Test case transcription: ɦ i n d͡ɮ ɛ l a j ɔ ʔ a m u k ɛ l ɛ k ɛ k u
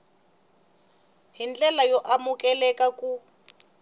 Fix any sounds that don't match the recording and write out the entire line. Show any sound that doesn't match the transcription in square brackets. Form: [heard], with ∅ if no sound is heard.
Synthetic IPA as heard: ɦ i n d͡ɮ ɛ l a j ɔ ʔ a m u k ɛ l ɛ k [a] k u